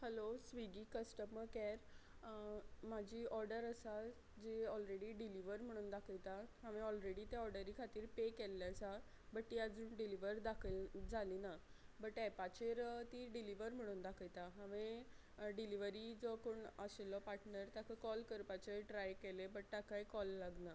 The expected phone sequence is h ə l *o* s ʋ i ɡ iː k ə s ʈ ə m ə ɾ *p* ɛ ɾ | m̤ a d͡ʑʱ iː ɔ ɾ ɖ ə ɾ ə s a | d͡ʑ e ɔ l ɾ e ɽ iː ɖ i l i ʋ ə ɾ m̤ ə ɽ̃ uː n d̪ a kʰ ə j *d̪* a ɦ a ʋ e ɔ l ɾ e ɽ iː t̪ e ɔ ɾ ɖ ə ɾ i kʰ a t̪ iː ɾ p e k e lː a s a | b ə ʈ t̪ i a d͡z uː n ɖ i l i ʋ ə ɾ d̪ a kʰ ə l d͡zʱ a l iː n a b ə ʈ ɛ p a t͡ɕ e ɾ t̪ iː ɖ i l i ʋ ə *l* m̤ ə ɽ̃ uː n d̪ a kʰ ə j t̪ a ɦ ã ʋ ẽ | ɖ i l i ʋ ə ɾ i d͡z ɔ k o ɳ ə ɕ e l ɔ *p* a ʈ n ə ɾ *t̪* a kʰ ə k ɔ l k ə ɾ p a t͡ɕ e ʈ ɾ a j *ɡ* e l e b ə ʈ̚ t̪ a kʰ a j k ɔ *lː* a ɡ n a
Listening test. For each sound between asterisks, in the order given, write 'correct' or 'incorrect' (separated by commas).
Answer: correct, incorrect, incorrect, incorrect, correct, correct, incorrect, correct